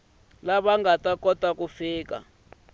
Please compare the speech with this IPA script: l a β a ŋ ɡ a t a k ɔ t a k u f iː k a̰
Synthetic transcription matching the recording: l a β a ŋ ɡ a t a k ɔ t a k u f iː k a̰